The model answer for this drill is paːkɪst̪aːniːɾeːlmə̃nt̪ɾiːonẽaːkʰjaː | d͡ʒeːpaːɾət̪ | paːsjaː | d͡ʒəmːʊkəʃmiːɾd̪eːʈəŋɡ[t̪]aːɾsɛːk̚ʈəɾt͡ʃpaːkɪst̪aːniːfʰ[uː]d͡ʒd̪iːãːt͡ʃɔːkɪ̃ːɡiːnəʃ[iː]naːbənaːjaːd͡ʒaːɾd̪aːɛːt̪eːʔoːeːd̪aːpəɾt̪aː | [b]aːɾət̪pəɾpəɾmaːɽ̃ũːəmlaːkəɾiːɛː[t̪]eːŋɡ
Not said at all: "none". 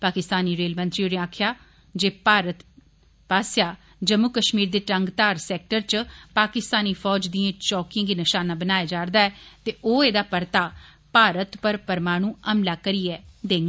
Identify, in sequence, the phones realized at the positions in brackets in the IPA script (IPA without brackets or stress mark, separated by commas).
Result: t̪, ɔː, aː, p, d̪